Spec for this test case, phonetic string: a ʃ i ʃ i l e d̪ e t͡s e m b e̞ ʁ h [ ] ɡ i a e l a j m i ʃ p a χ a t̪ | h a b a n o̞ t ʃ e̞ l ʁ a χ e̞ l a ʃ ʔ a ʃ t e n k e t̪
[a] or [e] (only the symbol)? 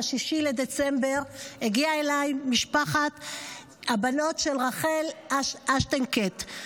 e